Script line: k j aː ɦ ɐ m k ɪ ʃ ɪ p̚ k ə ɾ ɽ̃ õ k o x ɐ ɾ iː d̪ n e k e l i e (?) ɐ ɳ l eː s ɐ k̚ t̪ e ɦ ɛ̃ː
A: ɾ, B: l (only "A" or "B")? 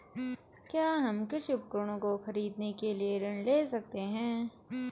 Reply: A